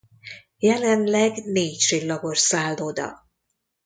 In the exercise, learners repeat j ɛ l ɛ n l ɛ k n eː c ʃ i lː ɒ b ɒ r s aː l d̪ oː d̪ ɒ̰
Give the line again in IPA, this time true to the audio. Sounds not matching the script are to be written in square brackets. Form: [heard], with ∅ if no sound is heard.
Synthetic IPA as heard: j ɛ l ɛ n l ɛ [ɡ] n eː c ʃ i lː ɒ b [o] r s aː l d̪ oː d̪ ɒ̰